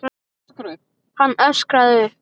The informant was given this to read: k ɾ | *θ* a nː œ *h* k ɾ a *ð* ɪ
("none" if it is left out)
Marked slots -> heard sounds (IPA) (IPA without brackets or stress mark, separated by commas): h, s, ð